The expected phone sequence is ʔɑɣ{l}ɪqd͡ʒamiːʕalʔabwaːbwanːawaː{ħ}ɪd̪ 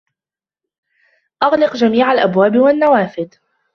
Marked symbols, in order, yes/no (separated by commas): yes, no